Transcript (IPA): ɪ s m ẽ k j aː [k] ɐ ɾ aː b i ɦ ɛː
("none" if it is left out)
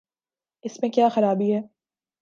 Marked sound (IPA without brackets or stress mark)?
x